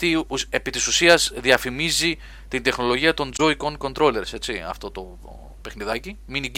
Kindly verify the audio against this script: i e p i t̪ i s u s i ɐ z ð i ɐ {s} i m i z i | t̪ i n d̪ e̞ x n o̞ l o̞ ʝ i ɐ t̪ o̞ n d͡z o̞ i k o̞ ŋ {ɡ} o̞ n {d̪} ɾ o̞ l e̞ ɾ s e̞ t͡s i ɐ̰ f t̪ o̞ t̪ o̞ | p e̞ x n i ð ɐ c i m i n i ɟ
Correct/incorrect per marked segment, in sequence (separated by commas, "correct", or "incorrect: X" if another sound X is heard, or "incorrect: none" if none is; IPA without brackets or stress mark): incorrect: f, incorrect: k, incorrect: t̪